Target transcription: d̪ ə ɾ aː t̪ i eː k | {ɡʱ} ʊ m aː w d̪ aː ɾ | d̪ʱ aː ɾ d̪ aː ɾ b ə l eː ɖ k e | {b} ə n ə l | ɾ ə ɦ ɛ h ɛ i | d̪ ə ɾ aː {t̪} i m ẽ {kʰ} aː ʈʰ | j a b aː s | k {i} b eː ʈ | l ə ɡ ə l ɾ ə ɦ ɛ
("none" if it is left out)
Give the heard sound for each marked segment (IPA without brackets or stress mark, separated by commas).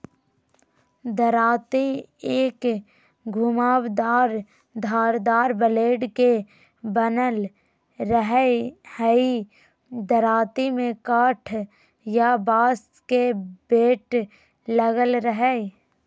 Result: ɡʱ, b, t̪, k, e